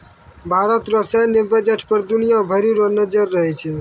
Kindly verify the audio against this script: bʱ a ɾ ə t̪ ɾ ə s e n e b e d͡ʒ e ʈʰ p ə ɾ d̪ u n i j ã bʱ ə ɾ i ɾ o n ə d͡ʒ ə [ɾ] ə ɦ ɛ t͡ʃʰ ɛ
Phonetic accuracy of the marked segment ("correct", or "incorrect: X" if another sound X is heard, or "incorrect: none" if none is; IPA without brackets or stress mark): incorrect: ɾː